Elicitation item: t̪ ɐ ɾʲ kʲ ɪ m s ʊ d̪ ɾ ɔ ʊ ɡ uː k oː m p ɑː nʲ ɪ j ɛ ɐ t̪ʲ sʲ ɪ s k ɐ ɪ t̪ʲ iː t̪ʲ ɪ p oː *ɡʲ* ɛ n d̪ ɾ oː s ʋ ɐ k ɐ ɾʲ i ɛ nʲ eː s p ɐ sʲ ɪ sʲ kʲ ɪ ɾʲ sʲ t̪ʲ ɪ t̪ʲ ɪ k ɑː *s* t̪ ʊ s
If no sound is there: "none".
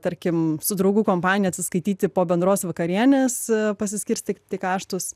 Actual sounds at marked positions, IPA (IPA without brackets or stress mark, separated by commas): bʲ, ʃ